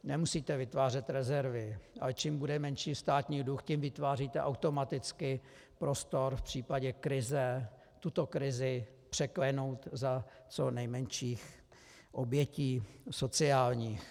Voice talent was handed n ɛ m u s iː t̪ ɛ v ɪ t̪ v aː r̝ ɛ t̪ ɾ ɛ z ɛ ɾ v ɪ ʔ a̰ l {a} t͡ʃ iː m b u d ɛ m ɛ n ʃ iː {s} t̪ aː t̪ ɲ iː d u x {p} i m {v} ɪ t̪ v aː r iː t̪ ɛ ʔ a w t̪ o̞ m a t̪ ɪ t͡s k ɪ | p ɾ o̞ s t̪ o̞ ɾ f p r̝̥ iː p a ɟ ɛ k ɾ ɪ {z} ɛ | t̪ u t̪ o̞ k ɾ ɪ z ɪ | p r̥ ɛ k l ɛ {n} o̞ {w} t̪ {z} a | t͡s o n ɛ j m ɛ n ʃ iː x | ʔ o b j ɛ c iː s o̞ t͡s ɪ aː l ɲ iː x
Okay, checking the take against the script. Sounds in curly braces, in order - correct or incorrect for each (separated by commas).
incorrect, correct, incorrect, correct, correct, correct, correct, correct